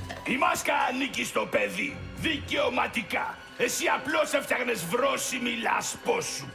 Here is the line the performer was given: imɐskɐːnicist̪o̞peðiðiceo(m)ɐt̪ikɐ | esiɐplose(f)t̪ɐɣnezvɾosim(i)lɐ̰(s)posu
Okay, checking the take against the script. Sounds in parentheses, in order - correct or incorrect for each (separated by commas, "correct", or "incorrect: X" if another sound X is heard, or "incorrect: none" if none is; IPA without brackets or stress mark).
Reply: correct, correct, correct, correct